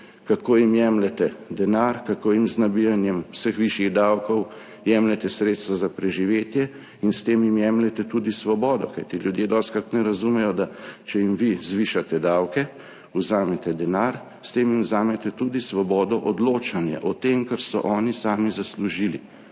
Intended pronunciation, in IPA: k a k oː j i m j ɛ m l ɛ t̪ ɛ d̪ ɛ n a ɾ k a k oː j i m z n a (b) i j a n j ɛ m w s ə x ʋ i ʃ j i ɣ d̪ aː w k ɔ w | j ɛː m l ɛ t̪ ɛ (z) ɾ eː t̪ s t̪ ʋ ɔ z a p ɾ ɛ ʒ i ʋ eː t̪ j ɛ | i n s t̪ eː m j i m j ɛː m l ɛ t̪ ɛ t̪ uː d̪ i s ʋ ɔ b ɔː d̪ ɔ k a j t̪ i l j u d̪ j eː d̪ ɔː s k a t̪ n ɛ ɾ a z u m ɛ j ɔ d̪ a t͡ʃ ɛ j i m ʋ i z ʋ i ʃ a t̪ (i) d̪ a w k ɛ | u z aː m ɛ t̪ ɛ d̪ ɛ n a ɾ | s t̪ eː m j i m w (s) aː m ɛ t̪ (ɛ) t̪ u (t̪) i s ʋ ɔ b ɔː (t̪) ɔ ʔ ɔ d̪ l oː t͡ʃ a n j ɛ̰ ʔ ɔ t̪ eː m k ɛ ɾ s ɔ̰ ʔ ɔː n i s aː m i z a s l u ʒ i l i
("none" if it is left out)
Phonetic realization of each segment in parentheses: b, s, ɛ, z, ɛ, d̪, d̪

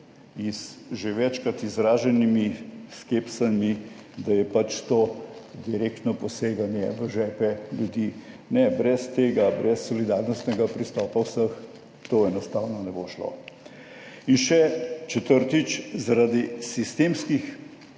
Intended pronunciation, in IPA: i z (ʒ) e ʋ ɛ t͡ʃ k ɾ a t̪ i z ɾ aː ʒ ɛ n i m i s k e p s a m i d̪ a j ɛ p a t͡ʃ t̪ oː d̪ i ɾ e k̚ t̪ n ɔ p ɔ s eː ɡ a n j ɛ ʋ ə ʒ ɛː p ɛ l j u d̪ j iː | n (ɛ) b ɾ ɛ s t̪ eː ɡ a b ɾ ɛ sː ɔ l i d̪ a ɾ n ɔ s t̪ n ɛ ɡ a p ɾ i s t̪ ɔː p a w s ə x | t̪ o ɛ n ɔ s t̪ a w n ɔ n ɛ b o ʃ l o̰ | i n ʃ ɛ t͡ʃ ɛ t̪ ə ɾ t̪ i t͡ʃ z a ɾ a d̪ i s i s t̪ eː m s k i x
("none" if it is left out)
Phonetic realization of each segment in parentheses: ʒ, ɛ

